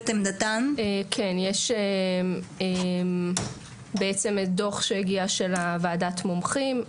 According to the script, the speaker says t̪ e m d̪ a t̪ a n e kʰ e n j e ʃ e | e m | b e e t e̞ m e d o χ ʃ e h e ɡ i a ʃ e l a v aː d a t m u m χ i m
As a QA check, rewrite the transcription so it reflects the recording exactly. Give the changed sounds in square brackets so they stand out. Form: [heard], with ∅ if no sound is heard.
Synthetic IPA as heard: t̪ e m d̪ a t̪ a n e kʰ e n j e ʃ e | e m | b e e [t͡s] e̞ m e d o χ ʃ e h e ɡ i a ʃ e l a v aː d a t m [o] m χ i m